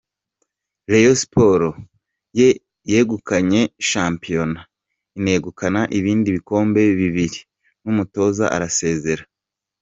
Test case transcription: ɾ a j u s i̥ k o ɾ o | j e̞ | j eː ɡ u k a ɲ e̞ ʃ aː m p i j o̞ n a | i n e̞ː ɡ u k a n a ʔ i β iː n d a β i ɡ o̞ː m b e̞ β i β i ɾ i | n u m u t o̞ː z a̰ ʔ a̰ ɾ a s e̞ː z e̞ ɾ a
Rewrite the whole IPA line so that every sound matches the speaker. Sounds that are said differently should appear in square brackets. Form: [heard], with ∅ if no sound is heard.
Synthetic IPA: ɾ [e] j [o] s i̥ [p] o ɾ o | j e̞ | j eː ɡ u k a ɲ e̞ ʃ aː m p i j o̞ n a | i n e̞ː ɡ u k a n a ʔ i β iː n d [i] β i [k] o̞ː m b e̞ β i β i ɾ i | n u m u t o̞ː z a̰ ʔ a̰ ɾ a s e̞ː z e̞ ɾ a